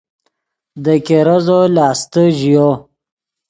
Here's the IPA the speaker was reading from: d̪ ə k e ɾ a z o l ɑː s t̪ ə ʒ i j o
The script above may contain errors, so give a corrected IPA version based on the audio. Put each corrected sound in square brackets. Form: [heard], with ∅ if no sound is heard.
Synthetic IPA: d̪ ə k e ɾ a z o l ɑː s t̪ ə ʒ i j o